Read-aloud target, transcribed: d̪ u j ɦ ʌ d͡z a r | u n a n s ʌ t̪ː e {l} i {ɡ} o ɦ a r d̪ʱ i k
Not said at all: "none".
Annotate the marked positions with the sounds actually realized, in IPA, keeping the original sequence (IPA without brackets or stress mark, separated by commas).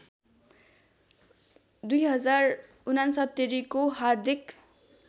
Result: ɾ, k